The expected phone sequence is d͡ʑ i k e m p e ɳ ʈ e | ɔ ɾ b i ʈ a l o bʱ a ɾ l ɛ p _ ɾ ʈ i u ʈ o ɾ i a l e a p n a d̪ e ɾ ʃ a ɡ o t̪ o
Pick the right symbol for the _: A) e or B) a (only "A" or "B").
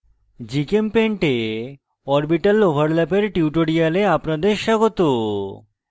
A